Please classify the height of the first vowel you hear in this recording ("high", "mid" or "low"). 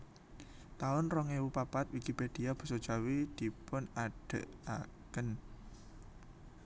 low